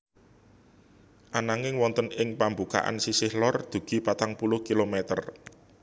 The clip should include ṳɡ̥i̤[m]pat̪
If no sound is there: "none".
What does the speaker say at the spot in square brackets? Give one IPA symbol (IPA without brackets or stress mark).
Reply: none